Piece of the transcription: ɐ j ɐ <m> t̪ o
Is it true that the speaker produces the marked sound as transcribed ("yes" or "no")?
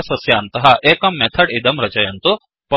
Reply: no